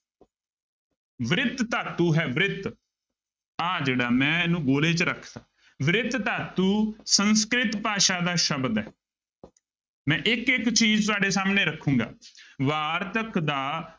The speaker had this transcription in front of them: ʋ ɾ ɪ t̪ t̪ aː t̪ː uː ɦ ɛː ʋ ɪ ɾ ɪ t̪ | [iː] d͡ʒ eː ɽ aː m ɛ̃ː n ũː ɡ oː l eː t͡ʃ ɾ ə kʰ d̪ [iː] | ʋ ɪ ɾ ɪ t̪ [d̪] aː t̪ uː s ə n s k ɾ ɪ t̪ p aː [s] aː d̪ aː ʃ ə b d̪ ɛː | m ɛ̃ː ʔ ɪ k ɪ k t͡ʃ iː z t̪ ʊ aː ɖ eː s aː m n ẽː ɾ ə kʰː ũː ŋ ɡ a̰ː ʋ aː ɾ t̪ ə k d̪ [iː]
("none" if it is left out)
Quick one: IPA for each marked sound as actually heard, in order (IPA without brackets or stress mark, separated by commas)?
aː, aː, t̪, ʃ, aː